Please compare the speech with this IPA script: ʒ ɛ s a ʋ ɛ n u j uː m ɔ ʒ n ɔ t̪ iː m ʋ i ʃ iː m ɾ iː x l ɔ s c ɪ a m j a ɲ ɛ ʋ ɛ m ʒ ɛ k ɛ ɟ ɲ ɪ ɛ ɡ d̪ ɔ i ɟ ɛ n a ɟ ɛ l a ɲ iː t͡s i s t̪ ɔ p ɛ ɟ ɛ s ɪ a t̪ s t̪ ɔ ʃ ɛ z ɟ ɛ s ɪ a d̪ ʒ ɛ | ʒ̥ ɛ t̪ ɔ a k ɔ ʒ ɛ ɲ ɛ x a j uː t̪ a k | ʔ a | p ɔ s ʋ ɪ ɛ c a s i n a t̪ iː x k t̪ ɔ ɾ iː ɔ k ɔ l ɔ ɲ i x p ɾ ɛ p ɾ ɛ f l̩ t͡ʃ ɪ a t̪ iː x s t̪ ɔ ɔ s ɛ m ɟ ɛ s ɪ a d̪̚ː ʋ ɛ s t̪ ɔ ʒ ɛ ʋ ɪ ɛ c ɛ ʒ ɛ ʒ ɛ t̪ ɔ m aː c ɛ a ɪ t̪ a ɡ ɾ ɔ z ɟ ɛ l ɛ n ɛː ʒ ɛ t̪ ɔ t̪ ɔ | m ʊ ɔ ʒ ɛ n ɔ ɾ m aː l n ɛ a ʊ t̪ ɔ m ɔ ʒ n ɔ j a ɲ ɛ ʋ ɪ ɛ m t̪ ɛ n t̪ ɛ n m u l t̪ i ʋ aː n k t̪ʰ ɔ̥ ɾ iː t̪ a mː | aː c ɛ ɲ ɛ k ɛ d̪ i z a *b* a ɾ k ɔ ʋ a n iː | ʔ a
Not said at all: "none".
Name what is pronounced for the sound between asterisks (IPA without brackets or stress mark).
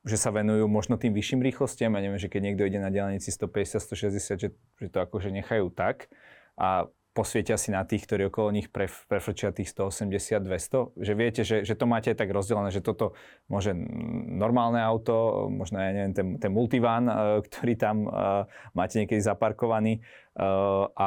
p